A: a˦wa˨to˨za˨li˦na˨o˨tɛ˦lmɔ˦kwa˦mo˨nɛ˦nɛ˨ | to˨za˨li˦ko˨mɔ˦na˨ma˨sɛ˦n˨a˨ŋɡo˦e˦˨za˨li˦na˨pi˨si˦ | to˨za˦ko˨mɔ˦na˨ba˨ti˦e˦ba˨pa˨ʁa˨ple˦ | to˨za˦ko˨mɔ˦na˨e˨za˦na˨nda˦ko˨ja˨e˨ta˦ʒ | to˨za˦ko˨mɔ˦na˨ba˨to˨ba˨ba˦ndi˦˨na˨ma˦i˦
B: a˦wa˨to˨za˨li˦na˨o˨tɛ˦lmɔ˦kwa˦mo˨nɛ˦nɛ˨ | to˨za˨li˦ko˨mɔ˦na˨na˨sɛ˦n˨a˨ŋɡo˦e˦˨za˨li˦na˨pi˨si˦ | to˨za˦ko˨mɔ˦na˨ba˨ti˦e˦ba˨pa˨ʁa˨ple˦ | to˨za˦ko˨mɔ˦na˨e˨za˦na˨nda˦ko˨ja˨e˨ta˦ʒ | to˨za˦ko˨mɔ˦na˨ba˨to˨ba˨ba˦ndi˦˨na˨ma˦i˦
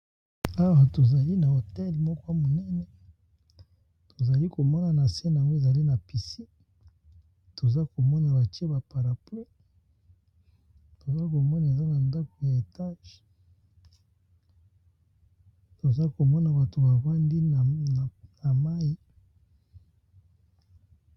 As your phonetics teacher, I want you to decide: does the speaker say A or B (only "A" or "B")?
B